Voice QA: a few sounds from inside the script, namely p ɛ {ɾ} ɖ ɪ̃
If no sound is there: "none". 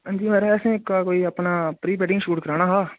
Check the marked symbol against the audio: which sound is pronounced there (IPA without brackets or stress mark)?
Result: none